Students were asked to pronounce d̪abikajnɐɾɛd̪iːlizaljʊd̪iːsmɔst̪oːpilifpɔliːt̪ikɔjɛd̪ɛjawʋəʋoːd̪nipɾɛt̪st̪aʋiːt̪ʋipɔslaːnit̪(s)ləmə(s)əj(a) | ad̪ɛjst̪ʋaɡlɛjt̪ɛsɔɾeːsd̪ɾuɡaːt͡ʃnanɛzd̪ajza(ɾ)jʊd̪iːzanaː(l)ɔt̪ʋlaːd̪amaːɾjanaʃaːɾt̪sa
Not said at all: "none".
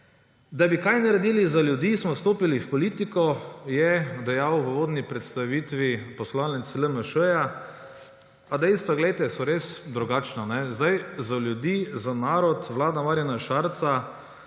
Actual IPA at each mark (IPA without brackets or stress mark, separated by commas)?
s, ʃ, a, l, ɾ